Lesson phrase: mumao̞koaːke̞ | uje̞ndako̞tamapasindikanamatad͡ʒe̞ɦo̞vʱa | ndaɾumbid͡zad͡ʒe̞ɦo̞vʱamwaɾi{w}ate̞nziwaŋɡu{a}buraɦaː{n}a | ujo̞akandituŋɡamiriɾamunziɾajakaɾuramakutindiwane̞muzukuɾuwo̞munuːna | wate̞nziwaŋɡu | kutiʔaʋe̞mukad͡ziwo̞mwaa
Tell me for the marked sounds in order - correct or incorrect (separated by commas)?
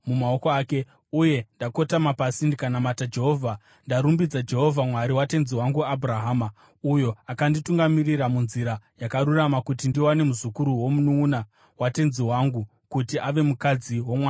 correct, correct, incorrect